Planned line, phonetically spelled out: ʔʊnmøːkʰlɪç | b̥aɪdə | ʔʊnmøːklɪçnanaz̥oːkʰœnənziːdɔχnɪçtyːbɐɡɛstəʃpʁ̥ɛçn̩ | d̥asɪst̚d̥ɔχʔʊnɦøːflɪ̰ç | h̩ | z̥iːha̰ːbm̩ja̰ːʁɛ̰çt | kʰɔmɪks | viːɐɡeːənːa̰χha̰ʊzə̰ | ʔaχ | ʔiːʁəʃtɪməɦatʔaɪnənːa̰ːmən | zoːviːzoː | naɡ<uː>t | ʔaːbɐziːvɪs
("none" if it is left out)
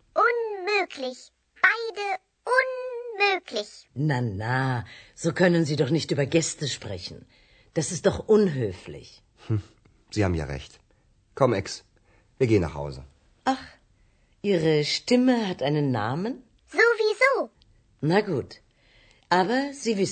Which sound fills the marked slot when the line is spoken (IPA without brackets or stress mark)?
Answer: uː